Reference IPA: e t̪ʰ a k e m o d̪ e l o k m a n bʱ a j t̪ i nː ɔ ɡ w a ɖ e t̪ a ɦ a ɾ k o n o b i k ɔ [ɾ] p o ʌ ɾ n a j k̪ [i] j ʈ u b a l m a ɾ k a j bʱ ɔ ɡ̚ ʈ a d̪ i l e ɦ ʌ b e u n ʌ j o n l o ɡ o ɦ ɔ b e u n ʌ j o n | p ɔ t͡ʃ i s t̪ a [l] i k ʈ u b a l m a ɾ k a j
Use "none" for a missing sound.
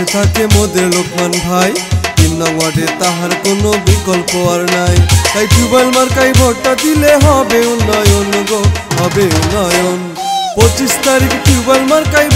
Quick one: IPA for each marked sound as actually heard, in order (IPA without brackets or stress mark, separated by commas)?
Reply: l, a, ɾ